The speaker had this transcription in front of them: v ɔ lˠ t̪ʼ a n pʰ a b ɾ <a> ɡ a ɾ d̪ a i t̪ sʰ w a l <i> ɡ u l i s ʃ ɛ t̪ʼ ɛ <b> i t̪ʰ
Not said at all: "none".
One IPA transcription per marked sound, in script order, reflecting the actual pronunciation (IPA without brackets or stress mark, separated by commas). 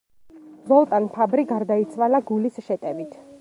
i, a, v